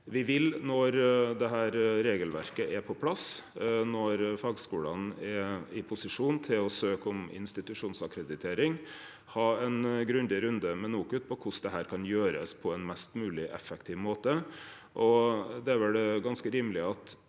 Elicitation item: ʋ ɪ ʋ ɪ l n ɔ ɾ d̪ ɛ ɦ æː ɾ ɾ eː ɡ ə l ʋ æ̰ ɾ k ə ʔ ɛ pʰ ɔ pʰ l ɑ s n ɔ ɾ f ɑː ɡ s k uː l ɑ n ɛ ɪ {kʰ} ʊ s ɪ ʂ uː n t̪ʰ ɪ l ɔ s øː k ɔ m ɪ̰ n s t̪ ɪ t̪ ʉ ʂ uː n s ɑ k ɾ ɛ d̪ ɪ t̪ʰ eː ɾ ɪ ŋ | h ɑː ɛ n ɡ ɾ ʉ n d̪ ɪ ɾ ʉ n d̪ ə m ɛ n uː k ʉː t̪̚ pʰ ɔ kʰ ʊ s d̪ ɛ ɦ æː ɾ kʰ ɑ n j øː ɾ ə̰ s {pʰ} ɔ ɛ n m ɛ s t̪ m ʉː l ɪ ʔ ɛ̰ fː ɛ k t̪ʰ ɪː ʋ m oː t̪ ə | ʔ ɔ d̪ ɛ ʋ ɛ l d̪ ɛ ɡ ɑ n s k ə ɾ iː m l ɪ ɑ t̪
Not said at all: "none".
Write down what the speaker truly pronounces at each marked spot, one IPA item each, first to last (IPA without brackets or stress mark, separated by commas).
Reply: pʰ, pʰ